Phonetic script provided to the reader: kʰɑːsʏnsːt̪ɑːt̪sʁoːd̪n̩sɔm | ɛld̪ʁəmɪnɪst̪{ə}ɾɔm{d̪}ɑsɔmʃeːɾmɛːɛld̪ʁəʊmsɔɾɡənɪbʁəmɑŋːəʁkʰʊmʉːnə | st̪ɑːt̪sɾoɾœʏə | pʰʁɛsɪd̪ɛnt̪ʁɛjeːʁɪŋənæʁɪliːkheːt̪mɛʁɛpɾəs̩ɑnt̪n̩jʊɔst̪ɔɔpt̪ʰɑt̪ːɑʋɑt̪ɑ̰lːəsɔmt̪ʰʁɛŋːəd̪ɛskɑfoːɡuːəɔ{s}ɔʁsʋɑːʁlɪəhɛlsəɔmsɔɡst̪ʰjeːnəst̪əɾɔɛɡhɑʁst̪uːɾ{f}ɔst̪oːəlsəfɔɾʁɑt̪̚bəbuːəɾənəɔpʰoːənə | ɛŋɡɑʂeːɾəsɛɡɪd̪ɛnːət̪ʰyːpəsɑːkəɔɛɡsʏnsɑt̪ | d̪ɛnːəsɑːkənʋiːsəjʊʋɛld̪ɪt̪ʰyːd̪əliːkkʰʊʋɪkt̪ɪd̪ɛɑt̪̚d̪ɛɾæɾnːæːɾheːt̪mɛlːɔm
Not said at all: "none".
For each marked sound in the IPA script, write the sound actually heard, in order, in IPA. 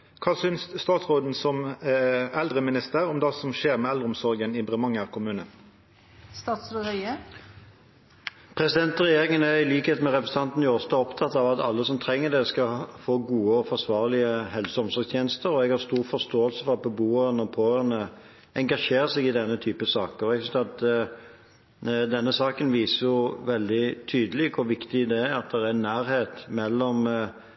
ə, d̪, f, f

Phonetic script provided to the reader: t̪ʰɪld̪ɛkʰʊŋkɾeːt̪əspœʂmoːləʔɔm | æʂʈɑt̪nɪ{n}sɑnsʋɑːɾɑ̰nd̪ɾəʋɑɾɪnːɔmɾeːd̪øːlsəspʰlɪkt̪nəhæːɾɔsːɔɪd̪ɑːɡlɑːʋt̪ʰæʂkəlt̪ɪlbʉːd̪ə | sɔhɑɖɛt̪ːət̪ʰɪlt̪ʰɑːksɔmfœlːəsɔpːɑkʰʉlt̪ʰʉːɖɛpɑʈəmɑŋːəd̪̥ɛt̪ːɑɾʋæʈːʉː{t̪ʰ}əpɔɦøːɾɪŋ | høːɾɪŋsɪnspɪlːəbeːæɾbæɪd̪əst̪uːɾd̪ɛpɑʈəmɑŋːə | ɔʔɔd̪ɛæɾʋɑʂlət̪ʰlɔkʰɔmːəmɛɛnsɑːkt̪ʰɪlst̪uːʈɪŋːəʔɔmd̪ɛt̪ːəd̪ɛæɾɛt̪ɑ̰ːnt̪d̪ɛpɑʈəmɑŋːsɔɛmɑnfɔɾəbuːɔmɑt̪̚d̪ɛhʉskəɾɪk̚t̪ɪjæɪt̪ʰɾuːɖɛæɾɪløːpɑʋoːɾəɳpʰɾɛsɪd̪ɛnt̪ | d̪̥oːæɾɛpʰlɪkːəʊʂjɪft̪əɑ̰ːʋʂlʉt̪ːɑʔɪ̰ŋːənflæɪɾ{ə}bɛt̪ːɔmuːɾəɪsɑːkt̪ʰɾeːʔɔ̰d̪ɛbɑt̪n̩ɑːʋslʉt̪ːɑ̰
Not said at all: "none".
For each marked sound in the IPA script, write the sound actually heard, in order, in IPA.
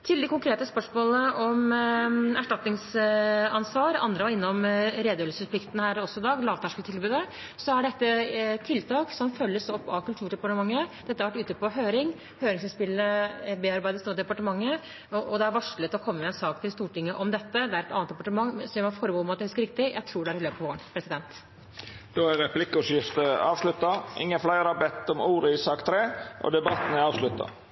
ŋ, t̪, ɑ

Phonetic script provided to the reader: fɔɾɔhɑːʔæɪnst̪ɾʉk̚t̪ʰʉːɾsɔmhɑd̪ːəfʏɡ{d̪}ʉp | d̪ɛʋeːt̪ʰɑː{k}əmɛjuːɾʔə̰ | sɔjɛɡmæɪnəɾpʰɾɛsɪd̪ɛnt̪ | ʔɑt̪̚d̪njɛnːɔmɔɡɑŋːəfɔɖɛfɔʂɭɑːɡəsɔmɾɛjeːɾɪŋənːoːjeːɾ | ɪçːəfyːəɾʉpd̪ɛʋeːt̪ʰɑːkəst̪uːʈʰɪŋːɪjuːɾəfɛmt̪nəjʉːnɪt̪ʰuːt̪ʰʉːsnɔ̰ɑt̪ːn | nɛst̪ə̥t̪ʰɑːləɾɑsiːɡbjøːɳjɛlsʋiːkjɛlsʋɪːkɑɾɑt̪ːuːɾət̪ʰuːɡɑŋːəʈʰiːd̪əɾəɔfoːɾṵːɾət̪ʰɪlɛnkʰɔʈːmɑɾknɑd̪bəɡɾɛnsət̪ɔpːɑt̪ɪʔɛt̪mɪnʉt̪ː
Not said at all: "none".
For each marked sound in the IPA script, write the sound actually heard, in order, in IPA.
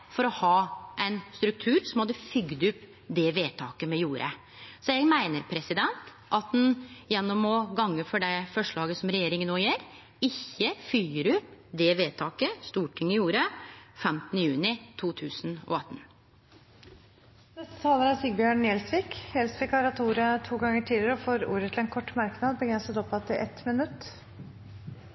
d̪, k

